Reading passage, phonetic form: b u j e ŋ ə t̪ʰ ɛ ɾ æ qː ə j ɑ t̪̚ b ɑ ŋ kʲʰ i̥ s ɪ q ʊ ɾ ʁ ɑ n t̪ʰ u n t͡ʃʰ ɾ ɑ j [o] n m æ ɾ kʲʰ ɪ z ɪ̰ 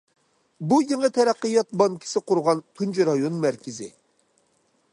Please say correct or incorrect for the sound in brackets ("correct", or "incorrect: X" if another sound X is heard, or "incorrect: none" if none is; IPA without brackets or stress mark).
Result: correct